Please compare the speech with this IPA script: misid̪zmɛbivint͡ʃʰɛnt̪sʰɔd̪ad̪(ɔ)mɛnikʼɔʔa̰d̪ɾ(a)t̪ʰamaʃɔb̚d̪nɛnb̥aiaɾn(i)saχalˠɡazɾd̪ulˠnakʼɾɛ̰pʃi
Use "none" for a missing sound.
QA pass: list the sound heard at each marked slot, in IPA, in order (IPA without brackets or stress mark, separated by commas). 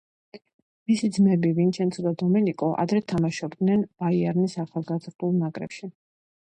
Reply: ɔ, ɛ, i